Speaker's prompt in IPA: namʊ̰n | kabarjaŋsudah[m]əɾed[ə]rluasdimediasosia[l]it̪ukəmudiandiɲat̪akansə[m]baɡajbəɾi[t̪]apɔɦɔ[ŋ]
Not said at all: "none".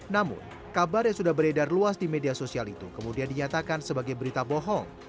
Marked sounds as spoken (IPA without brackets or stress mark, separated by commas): b, a, l, none, t̪, ŋ